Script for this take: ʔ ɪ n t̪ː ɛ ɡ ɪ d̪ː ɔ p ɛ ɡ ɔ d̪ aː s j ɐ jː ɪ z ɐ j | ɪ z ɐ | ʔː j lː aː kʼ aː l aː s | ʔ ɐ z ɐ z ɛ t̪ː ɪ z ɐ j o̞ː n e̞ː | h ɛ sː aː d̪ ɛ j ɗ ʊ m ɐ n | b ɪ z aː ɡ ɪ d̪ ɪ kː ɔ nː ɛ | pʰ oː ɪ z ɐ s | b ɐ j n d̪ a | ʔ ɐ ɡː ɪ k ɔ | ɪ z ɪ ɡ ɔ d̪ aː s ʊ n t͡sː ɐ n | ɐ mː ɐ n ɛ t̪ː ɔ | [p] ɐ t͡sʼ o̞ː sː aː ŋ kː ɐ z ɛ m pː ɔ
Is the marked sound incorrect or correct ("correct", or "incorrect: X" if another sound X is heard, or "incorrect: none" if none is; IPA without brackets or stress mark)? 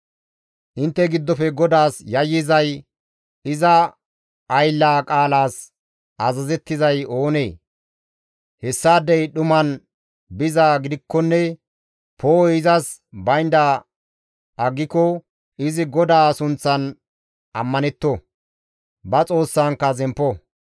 incorrect: b